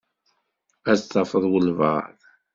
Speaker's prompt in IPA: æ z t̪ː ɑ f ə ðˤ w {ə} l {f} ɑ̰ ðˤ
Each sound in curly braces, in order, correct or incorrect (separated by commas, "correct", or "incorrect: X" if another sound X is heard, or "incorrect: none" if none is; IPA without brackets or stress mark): correct, incorrect: v